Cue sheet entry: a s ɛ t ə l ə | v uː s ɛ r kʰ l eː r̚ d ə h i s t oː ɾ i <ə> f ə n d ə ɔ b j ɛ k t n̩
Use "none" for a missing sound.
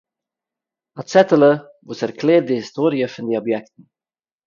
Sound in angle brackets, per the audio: ə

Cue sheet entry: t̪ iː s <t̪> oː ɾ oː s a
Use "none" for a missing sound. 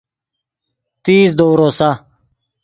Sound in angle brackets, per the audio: d̪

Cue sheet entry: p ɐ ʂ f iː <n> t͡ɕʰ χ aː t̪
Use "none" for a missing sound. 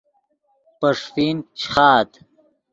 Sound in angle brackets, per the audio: n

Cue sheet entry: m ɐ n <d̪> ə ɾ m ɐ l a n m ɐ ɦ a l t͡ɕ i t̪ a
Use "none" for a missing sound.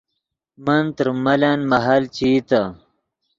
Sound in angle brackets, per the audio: t̪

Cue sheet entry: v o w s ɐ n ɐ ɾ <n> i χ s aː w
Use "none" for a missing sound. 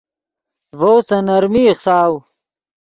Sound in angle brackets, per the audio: m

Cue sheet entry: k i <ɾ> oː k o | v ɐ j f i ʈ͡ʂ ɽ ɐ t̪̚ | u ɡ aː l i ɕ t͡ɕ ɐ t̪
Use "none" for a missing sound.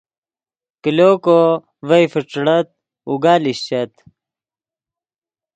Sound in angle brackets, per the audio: l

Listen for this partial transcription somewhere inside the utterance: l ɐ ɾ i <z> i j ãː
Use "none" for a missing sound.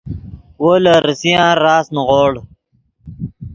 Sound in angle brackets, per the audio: s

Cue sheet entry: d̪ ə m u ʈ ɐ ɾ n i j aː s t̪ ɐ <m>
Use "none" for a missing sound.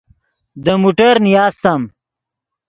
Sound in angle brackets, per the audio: m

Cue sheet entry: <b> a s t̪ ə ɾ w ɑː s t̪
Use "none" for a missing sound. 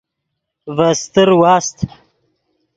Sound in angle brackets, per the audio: v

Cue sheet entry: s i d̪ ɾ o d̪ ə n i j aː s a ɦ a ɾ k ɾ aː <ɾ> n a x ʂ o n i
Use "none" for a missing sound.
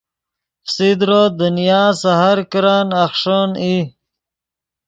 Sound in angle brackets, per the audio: none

